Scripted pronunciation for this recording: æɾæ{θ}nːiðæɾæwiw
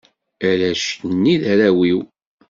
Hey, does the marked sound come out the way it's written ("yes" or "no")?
no